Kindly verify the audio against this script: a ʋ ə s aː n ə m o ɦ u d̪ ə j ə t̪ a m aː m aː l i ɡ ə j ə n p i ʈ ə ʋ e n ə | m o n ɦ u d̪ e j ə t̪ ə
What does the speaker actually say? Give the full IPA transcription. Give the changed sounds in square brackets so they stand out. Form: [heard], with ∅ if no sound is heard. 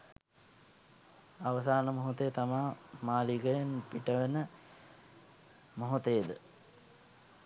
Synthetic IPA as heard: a ʋ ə s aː n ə m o ɦ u [t̪] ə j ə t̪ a m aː m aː l i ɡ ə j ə n p i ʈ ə ʋ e n ə | m o [∅] ɦ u [t̪] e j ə [d̪] ə